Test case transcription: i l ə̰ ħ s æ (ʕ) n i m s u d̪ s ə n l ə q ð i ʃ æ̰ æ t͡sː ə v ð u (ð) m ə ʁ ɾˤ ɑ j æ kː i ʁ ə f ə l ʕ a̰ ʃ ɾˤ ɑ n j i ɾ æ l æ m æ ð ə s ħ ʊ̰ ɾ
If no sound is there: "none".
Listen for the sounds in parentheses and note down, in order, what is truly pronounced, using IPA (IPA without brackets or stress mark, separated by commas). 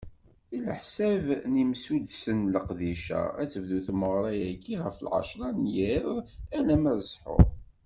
v, θ